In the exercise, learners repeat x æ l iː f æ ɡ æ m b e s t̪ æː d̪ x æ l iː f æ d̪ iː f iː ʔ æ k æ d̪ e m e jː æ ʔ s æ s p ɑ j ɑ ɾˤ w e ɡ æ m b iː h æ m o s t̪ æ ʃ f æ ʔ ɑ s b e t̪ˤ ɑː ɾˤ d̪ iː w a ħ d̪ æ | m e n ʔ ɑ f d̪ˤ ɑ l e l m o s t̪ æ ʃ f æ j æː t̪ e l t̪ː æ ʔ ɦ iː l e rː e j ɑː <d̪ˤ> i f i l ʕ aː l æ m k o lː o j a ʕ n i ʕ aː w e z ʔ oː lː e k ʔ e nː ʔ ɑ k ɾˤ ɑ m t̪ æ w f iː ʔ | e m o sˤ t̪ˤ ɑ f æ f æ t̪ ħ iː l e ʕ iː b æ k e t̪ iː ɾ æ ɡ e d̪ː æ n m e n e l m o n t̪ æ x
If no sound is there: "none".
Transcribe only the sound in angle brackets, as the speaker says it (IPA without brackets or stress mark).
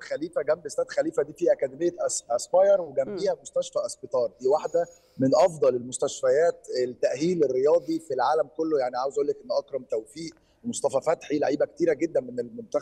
d̪ˤ